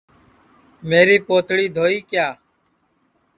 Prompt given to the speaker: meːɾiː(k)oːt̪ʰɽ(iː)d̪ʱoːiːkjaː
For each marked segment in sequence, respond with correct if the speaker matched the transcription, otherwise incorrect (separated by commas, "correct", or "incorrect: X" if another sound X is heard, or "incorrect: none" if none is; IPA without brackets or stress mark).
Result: incorrect: p, correct